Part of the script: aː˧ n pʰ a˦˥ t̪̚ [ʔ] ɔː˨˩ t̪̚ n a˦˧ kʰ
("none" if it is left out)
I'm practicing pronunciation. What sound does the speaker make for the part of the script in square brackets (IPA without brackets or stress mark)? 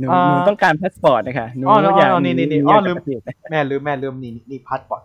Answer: p